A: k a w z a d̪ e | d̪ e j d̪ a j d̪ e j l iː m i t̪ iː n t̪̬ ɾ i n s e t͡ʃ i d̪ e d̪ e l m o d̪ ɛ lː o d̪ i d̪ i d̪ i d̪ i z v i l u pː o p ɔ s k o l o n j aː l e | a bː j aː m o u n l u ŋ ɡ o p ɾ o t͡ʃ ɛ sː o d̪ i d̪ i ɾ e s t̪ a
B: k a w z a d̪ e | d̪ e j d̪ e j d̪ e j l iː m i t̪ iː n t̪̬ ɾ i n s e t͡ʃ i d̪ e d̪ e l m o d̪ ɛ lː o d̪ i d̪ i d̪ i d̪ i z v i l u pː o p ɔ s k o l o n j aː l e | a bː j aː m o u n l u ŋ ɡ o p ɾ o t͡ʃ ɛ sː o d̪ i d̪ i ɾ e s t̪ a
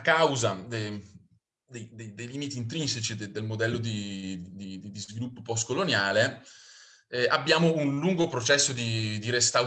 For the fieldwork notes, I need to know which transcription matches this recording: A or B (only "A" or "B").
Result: B